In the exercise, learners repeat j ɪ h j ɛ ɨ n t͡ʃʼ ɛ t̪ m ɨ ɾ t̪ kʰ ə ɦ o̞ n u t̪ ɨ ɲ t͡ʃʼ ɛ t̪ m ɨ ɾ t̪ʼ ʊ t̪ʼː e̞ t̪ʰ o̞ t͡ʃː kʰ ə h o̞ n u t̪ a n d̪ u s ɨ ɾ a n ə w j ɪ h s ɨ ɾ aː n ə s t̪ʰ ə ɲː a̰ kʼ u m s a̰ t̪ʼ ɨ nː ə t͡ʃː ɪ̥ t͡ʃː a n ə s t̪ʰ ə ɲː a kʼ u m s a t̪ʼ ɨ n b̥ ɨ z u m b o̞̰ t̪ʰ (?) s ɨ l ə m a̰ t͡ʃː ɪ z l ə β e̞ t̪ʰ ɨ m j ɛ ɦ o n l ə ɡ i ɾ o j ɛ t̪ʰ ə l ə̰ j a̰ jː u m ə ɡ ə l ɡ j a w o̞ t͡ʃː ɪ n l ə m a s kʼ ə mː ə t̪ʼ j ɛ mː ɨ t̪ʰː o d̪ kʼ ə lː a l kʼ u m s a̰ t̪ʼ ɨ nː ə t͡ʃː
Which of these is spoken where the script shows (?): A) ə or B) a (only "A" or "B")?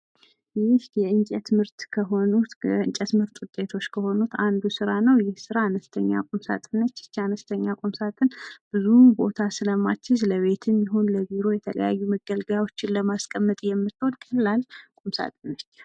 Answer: B